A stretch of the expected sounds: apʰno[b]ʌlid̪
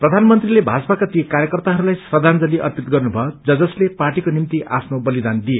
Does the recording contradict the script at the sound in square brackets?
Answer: no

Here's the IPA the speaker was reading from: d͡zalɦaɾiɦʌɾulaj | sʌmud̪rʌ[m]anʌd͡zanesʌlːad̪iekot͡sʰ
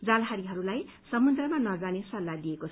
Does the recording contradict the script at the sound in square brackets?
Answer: no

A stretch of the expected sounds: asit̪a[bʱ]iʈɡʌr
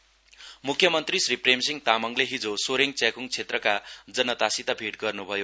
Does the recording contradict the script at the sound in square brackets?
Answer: no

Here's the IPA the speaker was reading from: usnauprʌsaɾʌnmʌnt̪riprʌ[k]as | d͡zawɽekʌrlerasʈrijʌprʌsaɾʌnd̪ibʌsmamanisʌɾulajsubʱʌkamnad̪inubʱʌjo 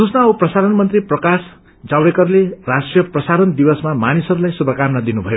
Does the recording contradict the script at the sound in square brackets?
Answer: no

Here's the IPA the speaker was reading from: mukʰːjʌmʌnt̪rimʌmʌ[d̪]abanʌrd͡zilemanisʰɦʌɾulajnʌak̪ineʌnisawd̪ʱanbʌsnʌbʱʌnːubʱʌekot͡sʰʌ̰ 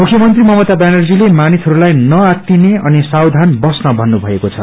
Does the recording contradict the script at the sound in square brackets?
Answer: yes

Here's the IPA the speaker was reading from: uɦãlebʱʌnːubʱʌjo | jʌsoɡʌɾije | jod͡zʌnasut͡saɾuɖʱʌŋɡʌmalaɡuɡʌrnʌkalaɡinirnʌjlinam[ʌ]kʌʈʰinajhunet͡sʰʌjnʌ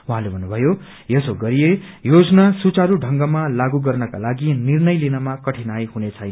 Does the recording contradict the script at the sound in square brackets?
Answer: yes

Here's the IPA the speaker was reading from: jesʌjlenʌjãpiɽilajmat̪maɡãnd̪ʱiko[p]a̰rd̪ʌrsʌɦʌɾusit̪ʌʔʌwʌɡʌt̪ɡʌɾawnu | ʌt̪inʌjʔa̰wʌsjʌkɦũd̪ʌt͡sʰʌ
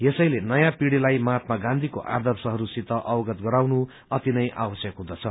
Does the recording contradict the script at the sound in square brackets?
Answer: yes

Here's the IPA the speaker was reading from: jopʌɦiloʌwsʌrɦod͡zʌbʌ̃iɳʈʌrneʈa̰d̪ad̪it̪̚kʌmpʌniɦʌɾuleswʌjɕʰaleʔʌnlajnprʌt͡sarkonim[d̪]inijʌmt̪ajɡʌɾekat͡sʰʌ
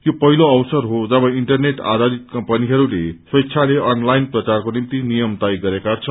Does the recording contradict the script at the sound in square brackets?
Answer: yes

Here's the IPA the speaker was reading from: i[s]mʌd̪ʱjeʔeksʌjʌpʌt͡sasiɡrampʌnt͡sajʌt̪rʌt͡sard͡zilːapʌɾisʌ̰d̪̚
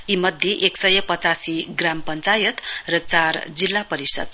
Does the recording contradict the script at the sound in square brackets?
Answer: yes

